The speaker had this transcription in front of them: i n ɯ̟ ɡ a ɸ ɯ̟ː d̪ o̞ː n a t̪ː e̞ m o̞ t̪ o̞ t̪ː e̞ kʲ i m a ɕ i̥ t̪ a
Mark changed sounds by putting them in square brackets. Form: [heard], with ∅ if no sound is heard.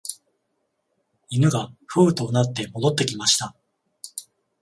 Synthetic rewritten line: i n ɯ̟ ɡ a ɸ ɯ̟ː [t̪] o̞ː n a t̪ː e̞ m o̞ [d̪] o̞ t̪ː e̞ kʲ i m a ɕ i̥ t̪ a